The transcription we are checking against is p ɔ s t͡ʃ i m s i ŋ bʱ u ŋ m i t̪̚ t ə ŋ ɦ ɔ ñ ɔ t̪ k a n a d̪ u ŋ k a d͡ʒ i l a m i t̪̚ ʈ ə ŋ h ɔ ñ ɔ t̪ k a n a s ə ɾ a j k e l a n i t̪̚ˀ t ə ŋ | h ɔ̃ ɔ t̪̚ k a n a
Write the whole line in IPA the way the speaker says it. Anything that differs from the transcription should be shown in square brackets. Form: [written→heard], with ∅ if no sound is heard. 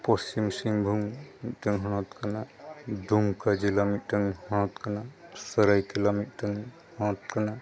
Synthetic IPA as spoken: p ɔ s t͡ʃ i m s i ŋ bʱ u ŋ m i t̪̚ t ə ŋ ɦ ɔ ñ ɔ t̪ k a n a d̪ u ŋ k a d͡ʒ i l a m i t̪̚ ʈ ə ŋ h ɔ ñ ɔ t̪ k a n a s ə ɾ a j k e l a [n→m] i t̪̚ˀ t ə ŋ | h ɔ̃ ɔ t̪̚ k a n a